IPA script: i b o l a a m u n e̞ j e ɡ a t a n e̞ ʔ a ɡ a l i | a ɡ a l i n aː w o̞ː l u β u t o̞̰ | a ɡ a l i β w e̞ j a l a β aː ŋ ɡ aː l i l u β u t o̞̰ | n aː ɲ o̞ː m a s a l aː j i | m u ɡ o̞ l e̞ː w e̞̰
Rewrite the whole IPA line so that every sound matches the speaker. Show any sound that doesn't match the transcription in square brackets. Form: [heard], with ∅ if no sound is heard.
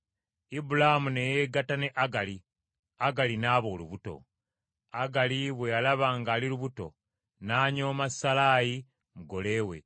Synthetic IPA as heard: i b [u] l a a m u n e̞ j e ɡ a t a n e̞ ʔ a ɡ a l i | a ɡ a l i n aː [β] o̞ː l u β u t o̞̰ | a ɡ a l i β w e̞ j a l a β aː ŋ ɡ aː l i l u β u t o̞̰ | n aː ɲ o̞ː m a s a l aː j i | m u ɡ o̞ l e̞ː w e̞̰